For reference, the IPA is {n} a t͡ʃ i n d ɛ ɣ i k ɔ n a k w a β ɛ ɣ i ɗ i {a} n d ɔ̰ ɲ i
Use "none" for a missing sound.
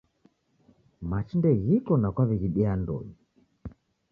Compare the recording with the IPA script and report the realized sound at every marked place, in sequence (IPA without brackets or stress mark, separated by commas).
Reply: m, a